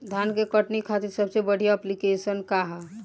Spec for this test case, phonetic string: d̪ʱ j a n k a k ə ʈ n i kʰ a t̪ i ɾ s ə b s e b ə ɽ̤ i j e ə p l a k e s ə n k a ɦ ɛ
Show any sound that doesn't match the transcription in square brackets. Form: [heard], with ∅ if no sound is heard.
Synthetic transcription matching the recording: d̪ʱ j a n k [e] k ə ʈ n i kʰ a t̪ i ɾ s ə b s e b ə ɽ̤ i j [a] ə p l [i] k e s ə n k a ɦ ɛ